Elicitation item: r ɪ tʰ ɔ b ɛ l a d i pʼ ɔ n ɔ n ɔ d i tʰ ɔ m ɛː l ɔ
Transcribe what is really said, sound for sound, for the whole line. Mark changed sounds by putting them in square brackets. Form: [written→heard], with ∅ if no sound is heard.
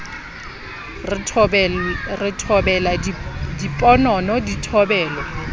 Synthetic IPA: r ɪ tʰ ɔ b ɛ l a d i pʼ ɔ n ɔ n ɔ d i tʰ ɔ [m→b] ɛː l ɔ